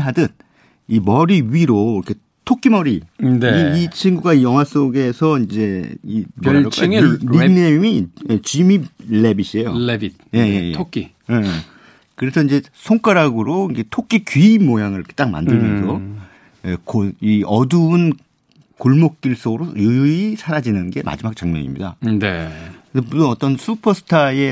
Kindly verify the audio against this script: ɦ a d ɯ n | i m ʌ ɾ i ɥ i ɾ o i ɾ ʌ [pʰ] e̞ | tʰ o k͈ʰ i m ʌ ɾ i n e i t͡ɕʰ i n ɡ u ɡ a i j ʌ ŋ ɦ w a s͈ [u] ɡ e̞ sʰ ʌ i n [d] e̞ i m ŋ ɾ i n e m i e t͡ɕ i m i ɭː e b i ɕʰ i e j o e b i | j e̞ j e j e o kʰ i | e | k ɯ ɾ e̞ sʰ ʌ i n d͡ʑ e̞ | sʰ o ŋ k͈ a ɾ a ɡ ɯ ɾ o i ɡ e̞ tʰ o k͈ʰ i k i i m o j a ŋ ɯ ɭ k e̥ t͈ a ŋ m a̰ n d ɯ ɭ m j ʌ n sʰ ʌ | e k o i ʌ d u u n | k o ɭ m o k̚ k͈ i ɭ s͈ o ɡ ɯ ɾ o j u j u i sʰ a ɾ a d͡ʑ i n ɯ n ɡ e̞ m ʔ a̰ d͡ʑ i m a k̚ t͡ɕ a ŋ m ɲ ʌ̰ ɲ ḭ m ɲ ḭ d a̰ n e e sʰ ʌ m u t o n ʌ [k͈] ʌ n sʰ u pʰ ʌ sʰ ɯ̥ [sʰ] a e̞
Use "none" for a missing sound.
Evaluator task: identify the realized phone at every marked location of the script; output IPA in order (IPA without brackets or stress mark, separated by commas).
kʰ, o, d͡ʑ, t͈, tʰ